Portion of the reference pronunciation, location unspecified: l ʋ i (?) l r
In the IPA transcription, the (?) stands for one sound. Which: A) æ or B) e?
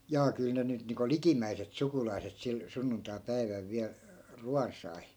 A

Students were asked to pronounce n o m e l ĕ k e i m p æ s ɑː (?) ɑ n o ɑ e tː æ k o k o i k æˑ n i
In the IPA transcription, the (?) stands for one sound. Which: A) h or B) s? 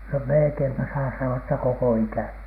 B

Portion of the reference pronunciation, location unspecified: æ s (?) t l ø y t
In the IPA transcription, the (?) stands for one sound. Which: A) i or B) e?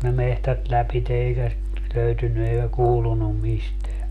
A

